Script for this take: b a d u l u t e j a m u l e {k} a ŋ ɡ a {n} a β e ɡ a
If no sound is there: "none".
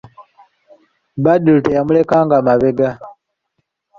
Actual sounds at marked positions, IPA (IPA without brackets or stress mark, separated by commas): k, m